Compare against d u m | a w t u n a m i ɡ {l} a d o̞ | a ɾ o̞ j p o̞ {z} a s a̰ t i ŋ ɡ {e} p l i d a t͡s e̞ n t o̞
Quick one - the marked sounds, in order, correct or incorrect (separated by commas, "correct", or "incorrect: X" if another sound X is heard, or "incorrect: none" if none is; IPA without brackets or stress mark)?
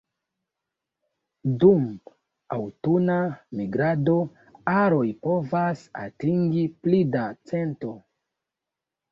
incorrect: ɾ, incorrect: v, incorrect: i